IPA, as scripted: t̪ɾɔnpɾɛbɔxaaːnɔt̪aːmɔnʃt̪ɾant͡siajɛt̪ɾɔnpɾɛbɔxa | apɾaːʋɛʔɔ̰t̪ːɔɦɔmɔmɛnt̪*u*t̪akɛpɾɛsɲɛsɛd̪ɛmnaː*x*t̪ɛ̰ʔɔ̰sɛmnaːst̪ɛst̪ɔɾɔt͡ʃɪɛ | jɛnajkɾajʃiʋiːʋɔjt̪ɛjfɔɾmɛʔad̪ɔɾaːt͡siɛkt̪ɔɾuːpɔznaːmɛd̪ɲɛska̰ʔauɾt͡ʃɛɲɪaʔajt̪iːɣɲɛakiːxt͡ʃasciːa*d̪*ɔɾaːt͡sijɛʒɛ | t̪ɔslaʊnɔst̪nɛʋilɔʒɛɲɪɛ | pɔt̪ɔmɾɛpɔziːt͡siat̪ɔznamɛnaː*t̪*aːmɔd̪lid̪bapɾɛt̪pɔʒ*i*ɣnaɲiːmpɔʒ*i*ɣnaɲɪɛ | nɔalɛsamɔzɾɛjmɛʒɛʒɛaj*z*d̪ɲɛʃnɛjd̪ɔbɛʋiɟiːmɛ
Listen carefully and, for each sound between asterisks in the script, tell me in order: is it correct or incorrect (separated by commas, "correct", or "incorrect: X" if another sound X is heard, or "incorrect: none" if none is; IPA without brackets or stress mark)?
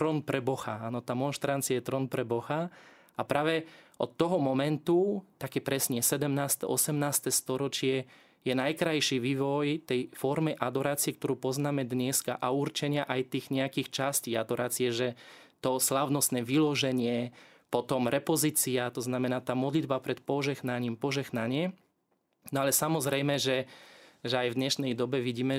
correct, incorrect: s, correct, correct, incorrect: ɛ, incorrect: ɛ, incorrect: v